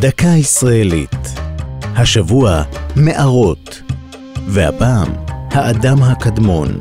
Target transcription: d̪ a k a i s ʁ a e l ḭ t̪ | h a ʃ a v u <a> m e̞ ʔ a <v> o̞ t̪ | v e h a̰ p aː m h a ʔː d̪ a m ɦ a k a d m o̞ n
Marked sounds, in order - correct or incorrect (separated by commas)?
correct, incorrect